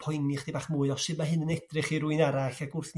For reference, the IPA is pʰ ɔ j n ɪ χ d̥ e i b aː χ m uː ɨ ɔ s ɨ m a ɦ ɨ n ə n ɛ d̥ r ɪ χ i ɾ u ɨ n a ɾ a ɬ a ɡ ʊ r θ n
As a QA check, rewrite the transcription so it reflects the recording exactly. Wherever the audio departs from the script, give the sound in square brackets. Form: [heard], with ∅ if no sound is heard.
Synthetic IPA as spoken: pʰ ɔ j n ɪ χ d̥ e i b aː χ m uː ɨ ɔ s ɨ m a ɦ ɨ n ə n ɛ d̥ r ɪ χ i ɾ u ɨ n a ɾ a ɬ a ɡ ʊ r θ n